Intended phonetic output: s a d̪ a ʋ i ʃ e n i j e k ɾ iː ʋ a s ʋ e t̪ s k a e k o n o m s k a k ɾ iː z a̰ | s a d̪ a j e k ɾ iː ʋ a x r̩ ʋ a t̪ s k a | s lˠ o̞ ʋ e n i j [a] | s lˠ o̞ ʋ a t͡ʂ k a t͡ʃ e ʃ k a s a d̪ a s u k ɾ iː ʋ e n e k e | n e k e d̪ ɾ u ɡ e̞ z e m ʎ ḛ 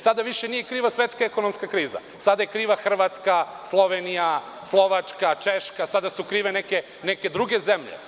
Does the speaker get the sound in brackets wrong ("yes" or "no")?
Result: no